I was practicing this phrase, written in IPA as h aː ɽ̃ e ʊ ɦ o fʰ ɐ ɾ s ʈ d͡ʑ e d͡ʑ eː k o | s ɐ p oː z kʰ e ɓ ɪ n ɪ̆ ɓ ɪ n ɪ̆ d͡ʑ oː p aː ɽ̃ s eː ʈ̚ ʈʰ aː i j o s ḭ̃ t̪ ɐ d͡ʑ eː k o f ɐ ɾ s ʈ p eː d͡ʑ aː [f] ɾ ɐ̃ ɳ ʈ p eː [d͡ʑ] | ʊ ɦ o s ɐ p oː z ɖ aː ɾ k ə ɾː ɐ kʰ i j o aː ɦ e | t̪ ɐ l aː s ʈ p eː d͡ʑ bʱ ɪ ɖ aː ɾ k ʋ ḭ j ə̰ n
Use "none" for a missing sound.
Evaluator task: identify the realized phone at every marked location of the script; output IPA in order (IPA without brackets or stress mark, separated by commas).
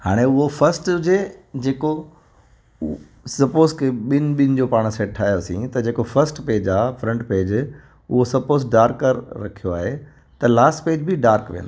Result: f, d͡ʑ